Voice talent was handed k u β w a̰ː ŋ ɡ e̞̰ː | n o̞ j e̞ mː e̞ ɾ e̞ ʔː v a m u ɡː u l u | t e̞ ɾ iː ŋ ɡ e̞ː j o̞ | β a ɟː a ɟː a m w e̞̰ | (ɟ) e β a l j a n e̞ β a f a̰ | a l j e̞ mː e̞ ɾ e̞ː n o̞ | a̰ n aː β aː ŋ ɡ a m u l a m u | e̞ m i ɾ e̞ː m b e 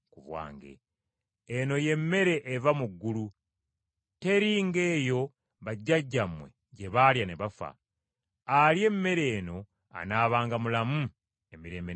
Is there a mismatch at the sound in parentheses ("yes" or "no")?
no